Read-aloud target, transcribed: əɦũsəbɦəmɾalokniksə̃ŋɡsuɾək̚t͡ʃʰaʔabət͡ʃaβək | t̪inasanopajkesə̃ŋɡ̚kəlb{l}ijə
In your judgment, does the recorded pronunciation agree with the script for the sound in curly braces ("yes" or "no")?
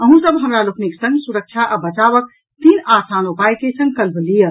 yes